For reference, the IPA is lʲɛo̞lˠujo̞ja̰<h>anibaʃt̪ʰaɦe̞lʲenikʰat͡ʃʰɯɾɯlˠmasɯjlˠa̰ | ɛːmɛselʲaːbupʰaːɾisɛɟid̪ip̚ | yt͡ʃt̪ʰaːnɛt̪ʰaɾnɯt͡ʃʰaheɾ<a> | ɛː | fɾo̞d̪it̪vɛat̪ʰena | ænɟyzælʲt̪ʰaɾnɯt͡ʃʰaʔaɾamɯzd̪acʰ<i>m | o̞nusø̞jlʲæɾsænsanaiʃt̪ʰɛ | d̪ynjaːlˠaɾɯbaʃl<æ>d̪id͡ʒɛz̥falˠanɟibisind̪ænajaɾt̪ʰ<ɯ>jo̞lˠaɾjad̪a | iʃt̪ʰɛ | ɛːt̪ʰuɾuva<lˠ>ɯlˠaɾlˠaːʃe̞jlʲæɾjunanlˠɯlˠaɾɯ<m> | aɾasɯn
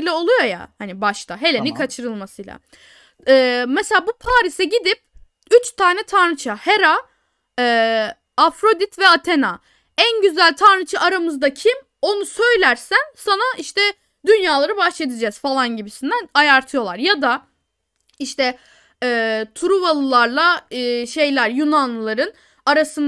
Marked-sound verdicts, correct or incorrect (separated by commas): correct, correct, correct, incorrect, correct, correct, incorrect